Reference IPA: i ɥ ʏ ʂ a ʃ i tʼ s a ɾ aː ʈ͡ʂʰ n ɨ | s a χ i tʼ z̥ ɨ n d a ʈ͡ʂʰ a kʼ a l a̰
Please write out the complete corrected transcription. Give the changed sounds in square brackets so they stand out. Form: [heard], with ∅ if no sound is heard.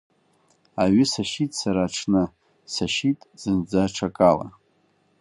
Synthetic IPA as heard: [a] ɥ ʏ [s] a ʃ i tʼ s a ɾ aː ʈ͡ʂʰ n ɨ | s a [ʃ] i tʼ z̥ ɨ n [d͡z] a ʈ͡ʂʰ a kʼ a l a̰